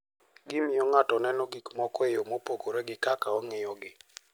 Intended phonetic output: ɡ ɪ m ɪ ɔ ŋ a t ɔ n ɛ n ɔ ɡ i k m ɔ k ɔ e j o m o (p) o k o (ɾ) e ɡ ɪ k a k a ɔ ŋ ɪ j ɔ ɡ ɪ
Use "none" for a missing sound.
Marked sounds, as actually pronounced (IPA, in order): p, ɾ

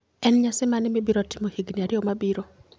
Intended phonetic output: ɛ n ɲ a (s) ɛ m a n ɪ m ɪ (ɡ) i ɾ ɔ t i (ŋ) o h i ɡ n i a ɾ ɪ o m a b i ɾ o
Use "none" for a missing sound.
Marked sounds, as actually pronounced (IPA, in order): s, b, m

